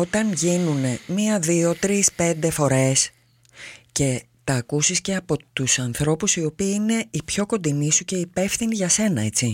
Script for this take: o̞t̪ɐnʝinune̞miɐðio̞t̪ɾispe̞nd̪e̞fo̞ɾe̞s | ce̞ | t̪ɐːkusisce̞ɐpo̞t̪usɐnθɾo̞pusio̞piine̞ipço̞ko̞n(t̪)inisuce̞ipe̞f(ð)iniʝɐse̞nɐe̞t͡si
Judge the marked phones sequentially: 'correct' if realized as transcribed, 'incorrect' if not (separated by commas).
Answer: incorrect, incorrect